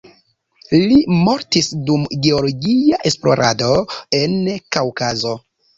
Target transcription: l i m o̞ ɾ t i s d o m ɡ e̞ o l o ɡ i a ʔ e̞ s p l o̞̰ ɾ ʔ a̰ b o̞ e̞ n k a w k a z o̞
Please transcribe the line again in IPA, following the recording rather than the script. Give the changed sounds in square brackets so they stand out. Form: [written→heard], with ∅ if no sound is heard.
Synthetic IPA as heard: l i m o̞ ɾ t i s d [o→u] m ɡ e̞ o l o ɡ i a ʔ e̞ s p l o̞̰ ɾ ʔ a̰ [b→d] o̞ e̞ n k a w k a z o̞